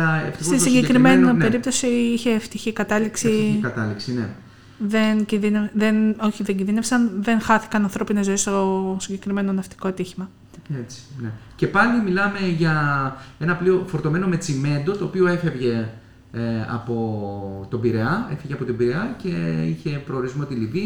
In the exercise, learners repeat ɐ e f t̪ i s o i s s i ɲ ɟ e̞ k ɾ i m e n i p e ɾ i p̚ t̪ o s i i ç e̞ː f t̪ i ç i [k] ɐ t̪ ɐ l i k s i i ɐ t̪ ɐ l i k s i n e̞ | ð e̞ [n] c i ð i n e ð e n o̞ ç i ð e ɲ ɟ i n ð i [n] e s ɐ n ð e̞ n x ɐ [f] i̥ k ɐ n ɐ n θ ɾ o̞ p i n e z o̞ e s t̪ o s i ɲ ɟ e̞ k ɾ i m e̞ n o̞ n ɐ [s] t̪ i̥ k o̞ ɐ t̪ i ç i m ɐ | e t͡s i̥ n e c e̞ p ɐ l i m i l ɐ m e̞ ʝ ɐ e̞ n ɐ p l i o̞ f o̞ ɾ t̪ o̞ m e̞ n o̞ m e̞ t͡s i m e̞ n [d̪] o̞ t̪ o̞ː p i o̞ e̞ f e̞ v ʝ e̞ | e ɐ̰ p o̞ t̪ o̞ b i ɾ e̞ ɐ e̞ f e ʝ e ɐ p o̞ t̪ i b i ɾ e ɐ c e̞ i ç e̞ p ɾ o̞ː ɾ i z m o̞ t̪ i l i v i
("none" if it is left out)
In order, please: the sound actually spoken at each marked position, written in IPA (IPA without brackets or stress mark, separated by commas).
k, n, n, θ, f, d̪